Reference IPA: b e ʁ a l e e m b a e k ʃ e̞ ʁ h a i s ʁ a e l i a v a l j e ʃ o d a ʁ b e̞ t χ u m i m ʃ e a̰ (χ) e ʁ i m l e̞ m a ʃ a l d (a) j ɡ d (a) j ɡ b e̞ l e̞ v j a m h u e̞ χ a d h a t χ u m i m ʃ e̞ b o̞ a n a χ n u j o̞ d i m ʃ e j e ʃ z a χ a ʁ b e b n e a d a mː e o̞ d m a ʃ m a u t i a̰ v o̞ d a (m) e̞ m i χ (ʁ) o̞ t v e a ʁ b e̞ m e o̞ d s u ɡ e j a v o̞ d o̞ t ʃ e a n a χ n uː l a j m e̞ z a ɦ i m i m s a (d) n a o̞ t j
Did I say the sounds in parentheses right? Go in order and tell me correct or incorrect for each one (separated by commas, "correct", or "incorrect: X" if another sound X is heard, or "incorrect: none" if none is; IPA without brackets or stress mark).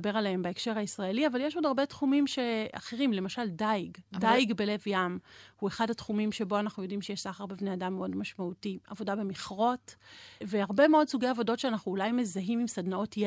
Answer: correct, correct, correct, incorrect: b, correct, correct